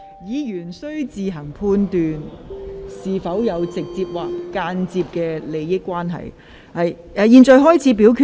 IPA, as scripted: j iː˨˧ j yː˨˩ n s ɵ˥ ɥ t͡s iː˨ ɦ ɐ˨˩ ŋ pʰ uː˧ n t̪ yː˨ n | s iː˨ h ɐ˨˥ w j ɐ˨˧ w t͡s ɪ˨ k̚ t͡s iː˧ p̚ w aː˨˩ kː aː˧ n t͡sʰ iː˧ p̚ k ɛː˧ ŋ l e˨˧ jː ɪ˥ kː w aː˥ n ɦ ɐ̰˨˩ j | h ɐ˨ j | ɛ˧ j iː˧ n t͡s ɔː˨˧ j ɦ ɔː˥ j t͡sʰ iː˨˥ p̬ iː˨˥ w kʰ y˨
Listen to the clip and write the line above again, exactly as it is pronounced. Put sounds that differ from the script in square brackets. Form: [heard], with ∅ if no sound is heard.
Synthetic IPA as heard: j iː˨˧ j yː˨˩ n s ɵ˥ ɥ t͡s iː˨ ɦ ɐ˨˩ ŋ pʰ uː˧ n t̪ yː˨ n | s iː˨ [f] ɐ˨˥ w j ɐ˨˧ w t͡s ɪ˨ k̚ t͡s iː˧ p̚ w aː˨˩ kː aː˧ n [t͡s] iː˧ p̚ k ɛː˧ [∅] l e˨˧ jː ɪ˥ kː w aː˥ n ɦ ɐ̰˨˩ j | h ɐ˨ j | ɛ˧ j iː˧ n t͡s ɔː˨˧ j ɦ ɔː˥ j t͡sʰ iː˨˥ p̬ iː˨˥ w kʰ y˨

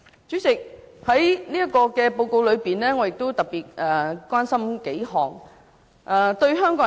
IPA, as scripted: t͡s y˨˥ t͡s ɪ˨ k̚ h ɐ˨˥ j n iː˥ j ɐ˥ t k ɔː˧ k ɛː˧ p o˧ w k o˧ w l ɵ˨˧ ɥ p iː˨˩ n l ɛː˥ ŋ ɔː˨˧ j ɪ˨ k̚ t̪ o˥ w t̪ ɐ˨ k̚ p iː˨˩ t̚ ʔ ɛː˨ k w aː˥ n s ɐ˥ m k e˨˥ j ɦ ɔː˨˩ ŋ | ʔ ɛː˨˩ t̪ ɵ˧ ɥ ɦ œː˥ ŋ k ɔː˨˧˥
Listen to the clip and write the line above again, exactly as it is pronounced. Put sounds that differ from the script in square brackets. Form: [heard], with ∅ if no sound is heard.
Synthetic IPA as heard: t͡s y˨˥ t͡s ɪ˨ k̚ h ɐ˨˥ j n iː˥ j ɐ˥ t k ɔː˧ k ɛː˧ p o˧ w k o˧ w l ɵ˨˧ ɥ p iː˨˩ n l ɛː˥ ŋ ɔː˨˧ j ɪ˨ k̚ t̪ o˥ w t̪ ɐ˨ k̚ p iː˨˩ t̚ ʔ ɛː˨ k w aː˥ n s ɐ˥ m k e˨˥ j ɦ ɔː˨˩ ŋ | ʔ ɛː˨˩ t̪ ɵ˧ ɥ ɦ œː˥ ŋ k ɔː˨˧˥

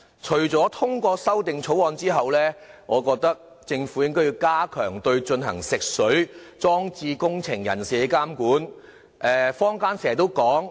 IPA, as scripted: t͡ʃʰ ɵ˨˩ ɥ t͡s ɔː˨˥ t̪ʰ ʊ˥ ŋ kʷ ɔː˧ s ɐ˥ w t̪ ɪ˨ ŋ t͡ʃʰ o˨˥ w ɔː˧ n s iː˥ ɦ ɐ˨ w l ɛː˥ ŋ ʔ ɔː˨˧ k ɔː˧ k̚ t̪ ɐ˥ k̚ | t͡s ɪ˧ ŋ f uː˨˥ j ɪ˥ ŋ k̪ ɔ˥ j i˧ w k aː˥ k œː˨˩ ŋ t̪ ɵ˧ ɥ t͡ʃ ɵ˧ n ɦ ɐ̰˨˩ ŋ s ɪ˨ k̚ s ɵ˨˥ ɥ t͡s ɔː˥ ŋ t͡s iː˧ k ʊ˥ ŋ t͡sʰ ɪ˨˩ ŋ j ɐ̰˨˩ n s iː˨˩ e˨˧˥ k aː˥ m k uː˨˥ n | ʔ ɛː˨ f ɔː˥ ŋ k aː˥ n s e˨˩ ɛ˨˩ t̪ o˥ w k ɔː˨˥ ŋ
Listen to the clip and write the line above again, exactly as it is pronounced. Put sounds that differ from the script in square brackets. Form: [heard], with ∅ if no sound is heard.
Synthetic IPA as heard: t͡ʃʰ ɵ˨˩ ɥ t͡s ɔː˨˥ t̪ʰ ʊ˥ ŋ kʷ ɔː˧ s ɐ˥ w t̪ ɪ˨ ŋ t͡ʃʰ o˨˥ w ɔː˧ n [t͡s] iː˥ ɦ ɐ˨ w l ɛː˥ ŋ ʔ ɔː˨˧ k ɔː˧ k̚ t̪ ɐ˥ k̚ | t͡s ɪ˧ ŋ f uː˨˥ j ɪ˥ ŋ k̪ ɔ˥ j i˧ w k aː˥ [kʰ] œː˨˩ ŋ t̪ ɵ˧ ɥ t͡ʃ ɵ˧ n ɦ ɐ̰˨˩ ŋ s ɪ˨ k̚ s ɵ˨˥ ɥ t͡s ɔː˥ ŋ t͡s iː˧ k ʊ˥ ŋ t͡sʰ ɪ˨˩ ŋ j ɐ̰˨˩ n s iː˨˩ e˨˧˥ k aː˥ m k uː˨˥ n | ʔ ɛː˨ f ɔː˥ ŋ k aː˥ n s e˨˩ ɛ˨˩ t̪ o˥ w k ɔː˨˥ ŋ

